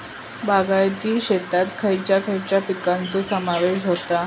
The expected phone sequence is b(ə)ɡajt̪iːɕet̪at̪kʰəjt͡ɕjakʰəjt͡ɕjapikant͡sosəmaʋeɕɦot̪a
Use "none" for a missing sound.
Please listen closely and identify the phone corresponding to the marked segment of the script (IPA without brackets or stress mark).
a